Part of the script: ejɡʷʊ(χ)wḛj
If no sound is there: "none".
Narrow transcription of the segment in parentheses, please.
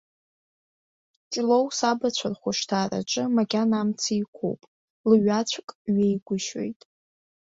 ʃ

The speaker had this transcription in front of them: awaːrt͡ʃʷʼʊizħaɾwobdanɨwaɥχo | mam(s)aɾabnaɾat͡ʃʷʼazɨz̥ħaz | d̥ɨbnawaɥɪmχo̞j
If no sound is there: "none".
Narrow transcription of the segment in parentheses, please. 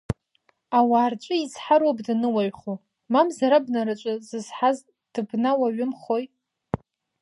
z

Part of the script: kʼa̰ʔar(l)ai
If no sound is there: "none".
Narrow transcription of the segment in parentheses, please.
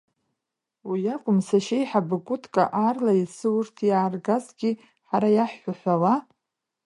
l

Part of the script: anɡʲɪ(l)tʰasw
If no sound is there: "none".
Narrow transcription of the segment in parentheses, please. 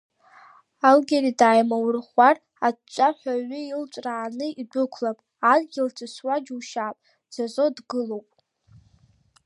l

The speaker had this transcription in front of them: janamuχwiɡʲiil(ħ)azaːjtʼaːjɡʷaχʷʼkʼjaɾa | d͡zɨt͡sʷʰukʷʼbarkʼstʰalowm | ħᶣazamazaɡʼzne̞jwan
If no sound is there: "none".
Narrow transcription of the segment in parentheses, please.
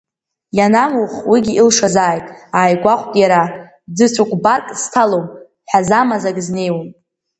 ʂ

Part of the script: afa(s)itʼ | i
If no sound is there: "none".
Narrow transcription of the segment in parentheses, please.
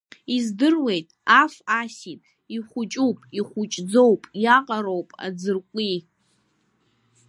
s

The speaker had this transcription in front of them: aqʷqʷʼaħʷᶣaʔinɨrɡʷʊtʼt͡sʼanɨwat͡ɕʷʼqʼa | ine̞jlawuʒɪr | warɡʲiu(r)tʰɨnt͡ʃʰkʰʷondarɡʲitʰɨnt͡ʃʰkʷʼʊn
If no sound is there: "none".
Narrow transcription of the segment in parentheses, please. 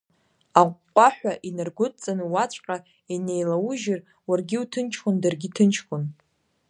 none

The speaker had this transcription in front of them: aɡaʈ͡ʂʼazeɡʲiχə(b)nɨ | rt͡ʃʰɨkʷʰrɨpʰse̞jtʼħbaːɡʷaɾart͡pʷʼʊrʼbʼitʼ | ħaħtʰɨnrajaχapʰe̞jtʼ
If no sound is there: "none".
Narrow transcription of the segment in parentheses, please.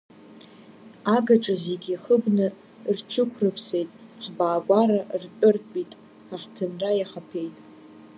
b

